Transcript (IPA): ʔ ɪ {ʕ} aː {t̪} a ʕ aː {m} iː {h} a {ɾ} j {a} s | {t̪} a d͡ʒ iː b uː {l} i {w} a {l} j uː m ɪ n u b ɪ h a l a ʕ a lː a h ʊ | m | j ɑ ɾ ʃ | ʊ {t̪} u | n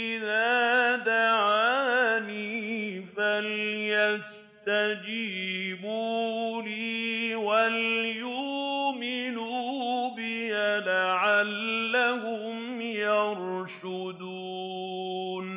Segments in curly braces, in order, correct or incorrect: incorrect: ð, incorrect: d̪, incorrect: n, incorrect: f, incorrect: l, correct, correct, correct, correct, correct, incorrect: d̪

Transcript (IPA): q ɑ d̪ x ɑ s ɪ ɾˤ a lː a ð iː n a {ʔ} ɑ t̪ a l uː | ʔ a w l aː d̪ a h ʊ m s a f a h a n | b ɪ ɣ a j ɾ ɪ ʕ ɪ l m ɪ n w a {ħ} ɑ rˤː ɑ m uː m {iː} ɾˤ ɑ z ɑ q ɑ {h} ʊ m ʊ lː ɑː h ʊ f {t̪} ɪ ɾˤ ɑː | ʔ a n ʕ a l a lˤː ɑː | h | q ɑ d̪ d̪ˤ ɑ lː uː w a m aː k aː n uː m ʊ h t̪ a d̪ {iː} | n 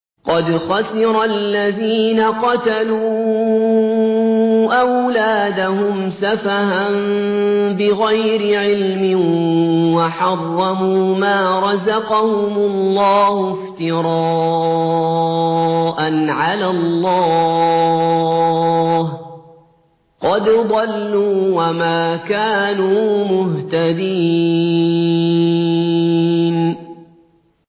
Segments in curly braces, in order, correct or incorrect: incorrect: q, correct, incorrect: aː, correct, correct, correct

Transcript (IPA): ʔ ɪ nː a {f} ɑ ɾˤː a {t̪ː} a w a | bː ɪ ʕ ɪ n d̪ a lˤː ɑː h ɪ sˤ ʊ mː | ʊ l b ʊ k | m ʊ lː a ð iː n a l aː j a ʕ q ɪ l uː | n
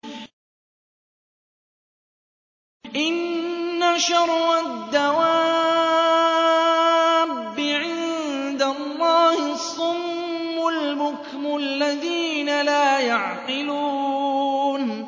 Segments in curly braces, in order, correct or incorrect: incorrect: ʃ, incorrect: d̪ː

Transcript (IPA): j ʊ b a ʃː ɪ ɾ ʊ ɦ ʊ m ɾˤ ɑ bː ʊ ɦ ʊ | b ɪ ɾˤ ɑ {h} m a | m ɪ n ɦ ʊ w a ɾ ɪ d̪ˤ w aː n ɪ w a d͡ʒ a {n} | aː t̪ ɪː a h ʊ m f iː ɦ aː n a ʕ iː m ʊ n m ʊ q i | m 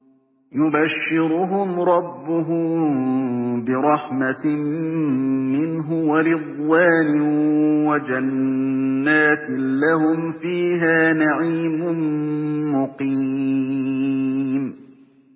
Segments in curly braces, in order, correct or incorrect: incorrect: ħ, incorrect: nː

